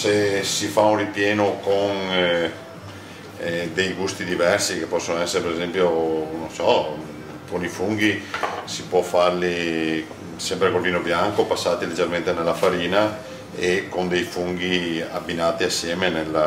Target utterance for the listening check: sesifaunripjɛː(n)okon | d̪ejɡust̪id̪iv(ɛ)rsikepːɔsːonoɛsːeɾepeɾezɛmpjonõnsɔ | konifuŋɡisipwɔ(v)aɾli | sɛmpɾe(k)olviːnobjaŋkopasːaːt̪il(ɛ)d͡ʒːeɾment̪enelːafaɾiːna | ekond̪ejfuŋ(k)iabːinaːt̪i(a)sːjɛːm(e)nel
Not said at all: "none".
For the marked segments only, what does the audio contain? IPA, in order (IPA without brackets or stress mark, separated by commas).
n, ɛ, f, k, e, ɡ, a, e